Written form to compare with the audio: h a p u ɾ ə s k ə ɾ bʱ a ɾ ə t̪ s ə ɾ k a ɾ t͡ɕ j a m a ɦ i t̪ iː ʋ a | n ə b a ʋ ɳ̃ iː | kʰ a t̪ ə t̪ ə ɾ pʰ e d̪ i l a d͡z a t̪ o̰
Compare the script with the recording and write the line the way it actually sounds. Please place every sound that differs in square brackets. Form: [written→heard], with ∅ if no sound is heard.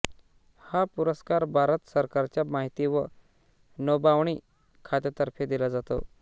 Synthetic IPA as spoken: h a p u ɾ ə s k [ə→a] ɾ bʱ a ɾ ə t̪ s ə ɾ k a ɾ t͡ɕ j a m a ɦ i t̪ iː ʋ [a→ə] | n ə b a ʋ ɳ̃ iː | kʰ a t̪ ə t̪ ə ɾ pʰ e d̪ i l a d͡z a t̪ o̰